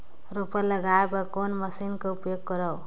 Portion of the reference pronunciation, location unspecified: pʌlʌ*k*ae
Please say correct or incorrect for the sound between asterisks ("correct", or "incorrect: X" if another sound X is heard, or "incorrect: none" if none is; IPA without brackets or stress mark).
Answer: incorrect: ɡ